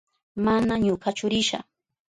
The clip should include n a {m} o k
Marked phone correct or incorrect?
incorrect